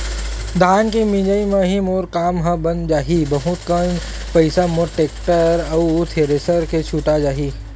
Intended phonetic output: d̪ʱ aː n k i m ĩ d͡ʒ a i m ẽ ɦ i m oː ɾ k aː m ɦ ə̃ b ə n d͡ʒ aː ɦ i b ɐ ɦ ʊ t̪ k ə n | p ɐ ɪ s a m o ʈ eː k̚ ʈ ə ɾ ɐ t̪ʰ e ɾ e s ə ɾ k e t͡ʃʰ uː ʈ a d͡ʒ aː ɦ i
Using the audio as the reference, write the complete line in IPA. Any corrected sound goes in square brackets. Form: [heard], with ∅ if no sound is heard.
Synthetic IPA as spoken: d̪ʱ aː n k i m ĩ d͡ʒ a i m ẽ ɦ i m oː ɾ k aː m ɦ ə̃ b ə n d͡ʒ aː ɦ i b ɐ ɦ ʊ t̪ k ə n | p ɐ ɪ s a m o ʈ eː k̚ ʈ ə ɾ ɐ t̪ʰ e ɾ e s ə ɾ k e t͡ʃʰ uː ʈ a d͡ʒ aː ɦ i